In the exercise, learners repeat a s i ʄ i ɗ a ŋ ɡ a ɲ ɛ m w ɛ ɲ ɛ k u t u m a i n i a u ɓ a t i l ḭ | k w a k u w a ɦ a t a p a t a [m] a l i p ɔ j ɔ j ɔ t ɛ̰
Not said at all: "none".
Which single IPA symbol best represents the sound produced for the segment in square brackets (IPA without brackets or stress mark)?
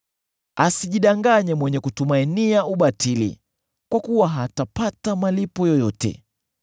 m